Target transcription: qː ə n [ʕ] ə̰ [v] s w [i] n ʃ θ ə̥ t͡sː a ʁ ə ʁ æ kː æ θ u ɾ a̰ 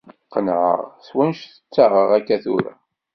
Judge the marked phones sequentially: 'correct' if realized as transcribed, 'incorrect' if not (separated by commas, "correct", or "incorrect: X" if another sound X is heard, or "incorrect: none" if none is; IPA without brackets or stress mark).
correct, incorrect: ʁ, incorrect: æ